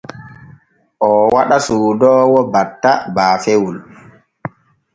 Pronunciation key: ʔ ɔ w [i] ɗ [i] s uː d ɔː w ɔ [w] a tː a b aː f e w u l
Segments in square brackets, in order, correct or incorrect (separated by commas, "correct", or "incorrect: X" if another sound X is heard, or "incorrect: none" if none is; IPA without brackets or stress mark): incorrect: a, incorrect: a, incorrect: b